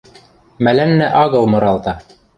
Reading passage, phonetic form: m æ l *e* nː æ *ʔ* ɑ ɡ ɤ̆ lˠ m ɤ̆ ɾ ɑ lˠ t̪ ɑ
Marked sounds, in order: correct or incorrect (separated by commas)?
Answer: incorrect, correct